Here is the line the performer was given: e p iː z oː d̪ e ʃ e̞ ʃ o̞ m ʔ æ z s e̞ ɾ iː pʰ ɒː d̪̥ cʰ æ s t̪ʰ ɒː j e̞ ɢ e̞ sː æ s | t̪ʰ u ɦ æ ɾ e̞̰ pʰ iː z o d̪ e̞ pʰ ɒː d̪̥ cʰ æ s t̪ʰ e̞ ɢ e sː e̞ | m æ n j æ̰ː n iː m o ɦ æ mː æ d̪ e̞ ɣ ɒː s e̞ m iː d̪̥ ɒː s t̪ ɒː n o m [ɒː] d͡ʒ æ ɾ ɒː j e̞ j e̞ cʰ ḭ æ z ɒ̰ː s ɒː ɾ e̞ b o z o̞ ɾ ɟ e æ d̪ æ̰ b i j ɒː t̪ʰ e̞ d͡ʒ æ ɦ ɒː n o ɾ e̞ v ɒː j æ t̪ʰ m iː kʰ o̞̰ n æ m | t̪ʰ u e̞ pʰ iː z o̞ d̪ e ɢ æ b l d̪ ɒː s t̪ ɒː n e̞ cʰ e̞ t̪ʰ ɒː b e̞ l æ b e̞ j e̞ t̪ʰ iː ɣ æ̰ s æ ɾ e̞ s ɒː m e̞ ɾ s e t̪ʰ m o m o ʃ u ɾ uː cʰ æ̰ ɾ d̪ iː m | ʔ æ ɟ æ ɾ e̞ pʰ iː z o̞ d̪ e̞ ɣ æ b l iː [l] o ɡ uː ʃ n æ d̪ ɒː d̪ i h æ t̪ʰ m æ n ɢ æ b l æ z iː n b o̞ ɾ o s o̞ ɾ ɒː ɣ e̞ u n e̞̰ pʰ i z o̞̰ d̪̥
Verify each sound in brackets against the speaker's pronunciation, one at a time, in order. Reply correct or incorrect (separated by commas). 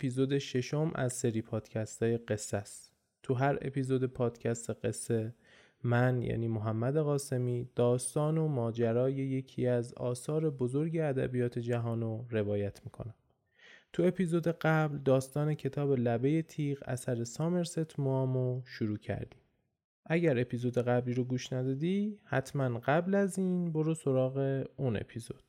correct, incorrect